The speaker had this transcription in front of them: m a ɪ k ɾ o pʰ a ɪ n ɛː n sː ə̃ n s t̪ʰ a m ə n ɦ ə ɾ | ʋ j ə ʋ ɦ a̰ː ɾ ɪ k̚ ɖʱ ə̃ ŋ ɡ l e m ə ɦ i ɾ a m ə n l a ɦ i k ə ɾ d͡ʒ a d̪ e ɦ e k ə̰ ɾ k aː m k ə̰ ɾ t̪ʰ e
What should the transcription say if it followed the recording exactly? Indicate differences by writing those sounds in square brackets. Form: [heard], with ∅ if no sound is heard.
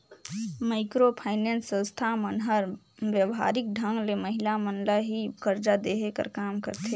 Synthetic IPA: m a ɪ k ɾ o pʰ a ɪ n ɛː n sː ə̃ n s t̪ʰ a m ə n ɦ ə ɾ | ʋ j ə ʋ ɦ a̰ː ɾ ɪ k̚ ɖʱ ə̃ ŋ ɡ l e m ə ɦ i [l] a m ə n l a ɦ i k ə ɾ d͡ʒ a d̪ e ɦ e k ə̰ ɾ k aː m k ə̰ ɾ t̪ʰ e